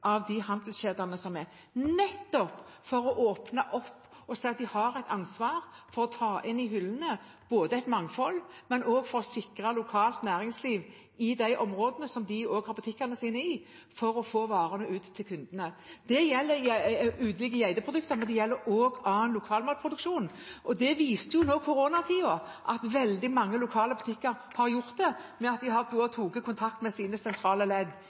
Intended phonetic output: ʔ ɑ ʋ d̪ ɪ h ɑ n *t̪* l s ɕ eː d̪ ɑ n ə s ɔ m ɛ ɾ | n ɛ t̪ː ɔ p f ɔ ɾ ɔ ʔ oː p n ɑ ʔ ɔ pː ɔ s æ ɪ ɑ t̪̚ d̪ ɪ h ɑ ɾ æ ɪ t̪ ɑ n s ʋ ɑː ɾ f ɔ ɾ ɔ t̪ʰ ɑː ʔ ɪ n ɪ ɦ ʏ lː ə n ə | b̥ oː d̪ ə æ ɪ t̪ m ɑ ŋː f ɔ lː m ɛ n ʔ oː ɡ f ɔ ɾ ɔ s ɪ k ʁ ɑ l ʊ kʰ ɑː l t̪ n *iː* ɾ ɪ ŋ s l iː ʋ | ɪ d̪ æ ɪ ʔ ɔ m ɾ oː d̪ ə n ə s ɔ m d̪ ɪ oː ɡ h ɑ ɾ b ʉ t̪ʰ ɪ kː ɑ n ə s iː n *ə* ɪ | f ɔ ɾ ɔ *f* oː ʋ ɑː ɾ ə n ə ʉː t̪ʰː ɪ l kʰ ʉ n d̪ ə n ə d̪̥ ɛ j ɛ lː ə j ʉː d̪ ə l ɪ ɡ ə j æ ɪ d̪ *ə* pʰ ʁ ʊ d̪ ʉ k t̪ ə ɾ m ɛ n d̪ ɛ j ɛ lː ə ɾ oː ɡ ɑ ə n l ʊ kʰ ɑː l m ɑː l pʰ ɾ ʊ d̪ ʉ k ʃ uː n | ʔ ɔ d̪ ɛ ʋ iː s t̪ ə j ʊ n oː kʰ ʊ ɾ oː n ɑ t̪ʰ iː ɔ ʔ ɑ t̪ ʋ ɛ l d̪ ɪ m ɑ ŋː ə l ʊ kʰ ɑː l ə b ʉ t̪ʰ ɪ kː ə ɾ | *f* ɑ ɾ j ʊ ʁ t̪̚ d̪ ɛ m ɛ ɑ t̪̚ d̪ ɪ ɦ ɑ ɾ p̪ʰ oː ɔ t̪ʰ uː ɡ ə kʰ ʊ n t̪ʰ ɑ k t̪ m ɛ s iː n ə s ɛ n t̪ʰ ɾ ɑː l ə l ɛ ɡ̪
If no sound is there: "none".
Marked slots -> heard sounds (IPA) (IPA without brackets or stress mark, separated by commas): d̪, æː, ə, f, ə, h